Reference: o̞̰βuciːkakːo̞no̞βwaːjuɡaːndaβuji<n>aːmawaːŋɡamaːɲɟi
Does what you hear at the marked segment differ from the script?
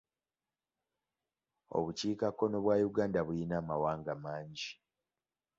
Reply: no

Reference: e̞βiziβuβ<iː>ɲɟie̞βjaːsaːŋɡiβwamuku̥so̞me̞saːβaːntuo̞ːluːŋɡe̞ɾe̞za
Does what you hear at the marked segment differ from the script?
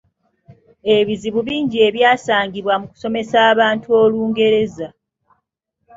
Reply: no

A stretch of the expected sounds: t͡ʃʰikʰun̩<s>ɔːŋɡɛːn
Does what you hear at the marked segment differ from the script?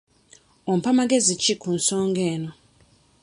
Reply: no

